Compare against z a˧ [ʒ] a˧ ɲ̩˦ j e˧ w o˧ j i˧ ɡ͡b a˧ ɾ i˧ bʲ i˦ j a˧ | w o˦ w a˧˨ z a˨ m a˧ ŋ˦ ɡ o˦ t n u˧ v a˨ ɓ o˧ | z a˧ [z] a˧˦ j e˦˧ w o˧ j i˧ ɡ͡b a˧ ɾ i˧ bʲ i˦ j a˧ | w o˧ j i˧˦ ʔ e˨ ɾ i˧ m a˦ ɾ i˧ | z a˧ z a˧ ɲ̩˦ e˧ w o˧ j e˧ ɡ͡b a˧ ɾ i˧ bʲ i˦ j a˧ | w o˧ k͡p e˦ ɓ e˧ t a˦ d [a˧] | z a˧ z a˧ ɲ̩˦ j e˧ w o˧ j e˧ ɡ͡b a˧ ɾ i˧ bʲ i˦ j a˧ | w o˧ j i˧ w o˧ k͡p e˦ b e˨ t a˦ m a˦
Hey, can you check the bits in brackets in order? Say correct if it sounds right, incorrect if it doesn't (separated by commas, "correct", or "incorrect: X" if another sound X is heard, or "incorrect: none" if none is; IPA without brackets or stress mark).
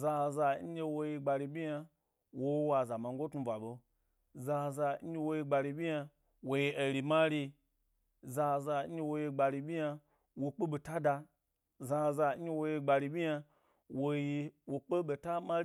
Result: incorrect: z, correct, correct